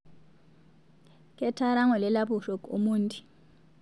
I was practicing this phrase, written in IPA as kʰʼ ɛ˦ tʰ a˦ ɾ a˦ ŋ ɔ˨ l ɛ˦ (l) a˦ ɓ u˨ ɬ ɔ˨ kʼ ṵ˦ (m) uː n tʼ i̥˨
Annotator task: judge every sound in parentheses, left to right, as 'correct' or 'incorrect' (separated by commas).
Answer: correct, correct